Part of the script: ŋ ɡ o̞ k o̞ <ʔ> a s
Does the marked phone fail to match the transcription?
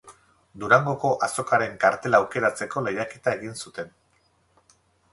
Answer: no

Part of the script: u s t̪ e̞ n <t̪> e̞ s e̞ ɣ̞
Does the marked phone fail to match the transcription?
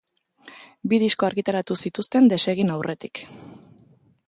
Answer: yes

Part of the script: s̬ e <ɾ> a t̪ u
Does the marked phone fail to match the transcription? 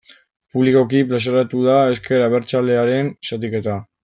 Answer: no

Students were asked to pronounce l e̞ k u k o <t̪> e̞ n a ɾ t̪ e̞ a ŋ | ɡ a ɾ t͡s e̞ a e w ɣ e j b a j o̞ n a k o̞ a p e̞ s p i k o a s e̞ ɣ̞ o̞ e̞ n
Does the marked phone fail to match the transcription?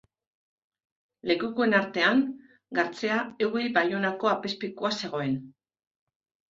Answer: yes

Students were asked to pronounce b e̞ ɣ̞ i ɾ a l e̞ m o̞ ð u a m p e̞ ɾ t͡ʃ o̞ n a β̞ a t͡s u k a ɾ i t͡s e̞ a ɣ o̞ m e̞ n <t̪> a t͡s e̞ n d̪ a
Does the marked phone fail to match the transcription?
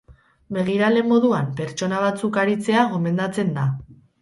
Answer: yes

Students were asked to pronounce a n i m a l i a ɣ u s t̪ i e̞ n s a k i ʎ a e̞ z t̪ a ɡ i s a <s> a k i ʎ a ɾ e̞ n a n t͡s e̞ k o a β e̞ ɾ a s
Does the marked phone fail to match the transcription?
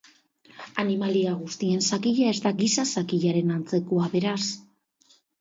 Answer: no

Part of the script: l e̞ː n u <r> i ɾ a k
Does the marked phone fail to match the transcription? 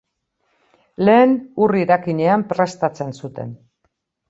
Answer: no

